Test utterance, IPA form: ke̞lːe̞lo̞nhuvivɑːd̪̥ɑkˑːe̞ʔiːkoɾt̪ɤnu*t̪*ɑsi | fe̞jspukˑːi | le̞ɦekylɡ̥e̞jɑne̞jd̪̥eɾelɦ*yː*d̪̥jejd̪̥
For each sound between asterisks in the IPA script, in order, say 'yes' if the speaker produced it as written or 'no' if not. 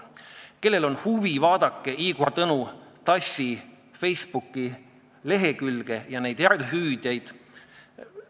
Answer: yes, yes

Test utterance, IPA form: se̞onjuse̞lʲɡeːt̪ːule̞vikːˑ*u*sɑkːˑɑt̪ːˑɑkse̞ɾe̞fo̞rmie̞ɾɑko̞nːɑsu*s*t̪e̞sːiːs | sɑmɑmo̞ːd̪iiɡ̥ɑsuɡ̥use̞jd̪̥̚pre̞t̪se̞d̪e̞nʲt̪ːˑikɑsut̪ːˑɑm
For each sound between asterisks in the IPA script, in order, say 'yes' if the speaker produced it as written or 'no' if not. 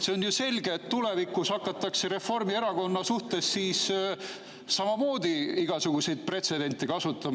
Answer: yes, no

